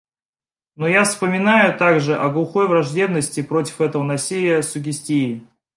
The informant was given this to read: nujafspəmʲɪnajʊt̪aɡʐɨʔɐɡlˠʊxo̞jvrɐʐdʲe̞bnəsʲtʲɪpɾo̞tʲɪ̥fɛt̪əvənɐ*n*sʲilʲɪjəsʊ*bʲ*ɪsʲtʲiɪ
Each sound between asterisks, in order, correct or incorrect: incorrect: none, incorrect: ɡʲ

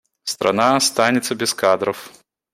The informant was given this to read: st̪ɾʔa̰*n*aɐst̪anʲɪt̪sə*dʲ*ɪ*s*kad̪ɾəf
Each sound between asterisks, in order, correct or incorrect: correct, incorrect: bʲ, correct

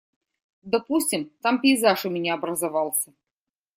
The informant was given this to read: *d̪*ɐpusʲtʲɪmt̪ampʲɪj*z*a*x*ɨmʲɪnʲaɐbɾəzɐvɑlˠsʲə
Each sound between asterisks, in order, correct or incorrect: correct, correct, incorrect: ʂ

